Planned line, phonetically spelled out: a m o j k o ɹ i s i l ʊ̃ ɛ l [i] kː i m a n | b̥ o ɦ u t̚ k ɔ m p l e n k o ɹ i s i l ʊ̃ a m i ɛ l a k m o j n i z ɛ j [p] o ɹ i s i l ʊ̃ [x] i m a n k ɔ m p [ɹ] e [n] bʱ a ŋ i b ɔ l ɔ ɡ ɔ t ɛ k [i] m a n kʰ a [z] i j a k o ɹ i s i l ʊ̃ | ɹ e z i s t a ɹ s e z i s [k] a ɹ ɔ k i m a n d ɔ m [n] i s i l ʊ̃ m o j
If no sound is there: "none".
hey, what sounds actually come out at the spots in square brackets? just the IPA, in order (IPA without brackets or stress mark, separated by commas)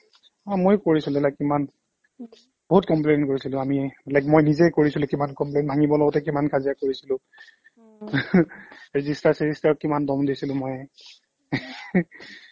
a, k, k, l, n, i, z, t, d